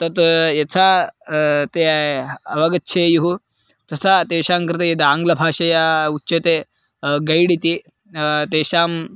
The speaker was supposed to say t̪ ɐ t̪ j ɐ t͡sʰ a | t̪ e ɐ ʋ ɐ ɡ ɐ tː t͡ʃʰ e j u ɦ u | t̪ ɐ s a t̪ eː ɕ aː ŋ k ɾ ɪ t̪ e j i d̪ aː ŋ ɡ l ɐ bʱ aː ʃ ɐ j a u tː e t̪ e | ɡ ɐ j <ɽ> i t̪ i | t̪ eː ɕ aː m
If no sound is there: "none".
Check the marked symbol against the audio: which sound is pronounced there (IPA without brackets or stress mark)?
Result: ɽ